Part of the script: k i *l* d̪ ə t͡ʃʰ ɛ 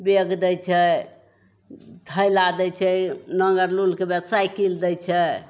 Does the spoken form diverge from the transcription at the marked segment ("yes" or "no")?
no